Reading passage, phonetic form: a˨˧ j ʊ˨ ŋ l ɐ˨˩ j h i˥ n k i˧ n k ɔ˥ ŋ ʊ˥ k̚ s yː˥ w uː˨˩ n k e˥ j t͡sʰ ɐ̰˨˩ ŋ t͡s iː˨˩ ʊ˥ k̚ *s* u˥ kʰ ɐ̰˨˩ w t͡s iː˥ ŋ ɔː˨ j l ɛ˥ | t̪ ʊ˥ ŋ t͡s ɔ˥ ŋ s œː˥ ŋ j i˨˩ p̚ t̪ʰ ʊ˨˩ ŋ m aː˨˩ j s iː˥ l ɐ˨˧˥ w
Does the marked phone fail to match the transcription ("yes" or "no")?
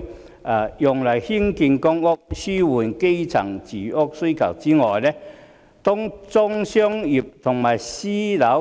no